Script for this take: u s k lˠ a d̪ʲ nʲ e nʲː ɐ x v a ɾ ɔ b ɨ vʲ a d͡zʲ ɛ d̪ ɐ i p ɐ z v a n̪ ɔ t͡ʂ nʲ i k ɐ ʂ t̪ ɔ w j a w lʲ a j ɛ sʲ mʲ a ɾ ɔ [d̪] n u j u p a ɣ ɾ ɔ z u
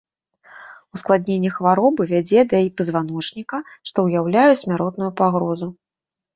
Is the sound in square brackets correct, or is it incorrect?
incorrect